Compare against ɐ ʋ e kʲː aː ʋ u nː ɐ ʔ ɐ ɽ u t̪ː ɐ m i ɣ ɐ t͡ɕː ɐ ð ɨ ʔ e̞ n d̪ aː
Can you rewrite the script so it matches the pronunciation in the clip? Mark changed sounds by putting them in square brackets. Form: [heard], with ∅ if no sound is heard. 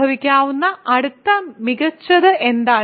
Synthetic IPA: ɐ ʋ [i] kʲː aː ʋ u nː ɐ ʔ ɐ ɽ u t̪ː ɐ m i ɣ ɐ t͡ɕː ɐ ð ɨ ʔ e̞ n d̪ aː